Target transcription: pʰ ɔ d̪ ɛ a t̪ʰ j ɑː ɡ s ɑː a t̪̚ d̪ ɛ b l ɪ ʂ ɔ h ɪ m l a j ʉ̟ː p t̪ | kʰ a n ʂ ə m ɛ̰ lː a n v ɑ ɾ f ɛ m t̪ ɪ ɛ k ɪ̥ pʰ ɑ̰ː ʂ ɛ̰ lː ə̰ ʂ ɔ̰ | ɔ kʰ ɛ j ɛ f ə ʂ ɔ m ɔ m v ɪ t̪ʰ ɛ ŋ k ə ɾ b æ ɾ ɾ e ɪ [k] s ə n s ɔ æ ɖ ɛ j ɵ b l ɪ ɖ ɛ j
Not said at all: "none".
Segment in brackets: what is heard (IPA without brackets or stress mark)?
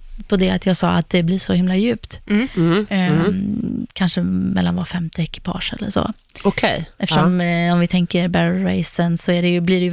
none